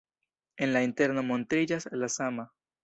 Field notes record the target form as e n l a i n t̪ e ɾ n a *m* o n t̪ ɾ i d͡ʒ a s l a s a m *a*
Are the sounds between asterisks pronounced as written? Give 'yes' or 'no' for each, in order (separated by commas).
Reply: yes, yes